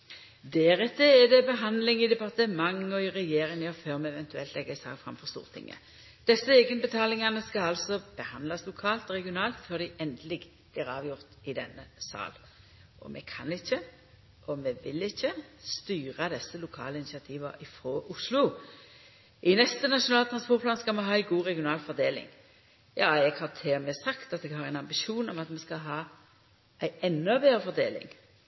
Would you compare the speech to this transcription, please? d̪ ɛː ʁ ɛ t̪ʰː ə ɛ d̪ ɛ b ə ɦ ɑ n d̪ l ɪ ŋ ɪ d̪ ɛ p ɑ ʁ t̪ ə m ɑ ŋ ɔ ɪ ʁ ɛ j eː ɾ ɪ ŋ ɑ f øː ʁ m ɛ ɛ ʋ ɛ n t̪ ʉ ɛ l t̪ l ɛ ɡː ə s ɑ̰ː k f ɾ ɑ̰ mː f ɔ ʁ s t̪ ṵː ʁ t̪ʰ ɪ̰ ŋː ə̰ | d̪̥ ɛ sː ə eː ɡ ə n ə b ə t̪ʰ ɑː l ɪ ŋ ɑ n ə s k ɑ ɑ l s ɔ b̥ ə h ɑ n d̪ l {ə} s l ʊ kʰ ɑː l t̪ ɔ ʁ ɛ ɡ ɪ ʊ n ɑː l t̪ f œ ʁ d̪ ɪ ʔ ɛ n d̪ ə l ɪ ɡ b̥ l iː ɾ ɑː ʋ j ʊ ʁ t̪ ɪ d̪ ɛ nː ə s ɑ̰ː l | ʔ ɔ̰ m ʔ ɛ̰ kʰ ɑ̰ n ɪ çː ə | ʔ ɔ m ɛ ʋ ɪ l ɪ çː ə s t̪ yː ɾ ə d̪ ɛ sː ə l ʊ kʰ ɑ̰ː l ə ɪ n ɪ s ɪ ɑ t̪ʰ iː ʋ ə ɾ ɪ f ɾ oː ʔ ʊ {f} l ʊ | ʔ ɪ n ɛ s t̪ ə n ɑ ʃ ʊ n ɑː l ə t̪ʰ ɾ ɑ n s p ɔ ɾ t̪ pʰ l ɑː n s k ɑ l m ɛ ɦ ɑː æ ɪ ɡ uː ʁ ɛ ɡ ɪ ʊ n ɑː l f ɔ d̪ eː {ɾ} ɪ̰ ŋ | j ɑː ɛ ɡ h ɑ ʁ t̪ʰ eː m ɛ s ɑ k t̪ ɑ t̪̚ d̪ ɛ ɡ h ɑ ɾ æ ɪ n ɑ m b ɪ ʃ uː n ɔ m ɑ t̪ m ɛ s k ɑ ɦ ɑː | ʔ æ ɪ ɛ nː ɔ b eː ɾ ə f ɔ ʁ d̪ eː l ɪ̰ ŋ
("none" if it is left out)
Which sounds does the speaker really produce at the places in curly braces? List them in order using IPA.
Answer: ɑ, s, l

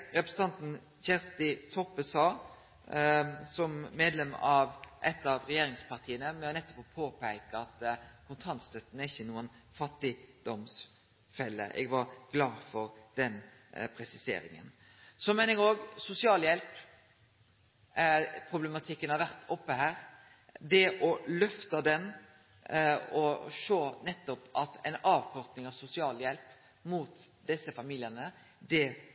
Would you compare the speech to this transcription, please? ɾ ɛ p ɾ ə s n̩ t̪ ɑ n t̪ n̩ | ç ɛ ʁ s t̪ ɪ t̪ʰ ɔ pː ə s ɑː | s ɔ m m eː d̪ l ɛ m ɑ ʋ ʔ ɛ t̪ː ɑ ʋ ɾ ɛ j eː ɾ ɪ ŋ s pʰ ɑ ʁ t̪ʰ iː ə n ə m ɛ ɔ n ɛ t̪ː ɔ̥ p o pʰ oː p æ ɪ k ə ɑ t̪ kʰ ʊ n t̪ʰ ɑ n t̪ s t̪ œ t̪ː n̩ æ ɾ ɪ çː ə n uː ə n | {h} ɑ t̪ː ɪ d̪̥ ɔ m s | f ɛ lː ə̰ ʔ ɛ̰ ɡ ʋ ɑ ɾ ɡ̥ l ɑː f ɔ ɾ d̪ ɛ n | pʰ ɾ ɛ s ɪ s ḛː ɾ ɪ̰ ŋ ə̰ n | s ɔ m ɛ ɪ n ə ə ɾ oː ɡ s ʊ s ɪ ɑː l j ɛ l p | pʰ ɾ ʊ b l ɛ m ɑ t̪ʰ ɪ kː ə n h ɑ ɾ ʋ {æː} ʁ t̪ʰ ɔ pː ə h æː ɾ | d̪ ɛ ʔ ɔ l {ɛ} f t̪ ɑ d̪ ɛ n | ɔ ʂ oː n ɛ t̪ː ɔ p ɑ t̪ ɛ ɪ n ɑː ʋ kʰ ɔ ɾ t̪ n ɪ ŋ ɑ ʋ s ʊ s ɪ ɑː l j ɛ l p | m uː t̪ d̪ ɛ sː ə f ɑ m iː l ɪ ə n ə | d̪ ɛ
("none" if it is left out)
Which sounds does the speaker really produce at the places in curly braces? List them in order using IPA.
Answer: f, æ, œ

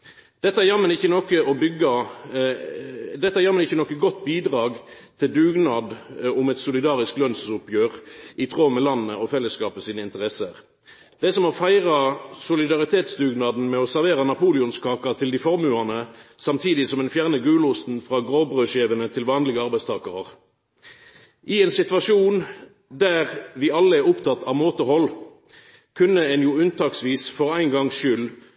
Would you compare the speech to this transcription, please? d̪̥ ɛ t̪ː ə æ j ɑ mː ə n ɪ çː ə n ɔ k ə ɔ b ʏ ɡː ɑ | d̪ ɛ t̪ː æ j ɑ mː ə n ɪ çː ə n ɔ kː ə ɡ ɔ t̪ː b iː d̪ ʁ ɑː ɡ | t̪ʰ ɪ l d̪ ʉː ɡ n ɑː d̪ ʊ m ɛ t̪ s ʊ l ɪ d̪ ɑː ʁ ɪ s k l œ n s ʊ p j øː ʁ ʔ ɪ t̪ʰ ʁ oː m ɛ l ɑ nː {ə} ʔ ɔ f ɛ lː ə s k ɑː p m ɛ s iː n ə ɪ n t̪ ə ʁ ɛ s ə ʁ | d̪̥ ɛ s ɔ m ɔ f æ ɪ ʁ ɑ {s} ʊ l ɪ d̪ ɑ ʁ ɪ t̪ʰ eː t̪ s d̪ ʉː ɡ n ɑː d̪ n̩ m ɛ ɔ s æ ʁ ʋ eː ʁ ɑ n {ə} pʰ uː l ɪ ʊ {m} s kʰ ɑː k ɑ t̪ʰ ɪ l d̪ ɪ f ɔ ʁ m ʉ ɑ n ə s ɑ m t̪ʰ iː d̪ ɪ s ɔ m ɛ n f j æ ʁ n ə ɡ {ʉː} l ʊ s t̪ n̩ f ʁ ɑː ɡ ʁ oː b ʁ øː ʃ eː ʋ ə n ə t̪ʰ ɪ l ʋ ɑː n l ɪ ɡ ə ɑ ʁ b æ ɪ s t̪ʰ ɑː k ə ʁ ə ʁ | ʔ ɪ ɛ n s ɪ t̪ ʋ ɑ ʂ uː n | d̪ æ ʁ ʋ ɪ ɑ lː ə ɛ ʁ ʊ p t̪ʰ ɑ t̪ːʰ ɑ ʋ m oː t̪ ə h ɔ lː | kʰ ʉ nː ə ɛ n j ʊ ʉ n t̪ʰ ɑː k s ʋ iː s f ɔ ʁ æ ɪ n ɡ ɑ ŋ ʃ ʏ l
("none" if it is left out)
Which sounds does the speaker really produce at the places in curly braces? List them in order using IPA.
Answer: ə, s, ɑ, n, ʉː

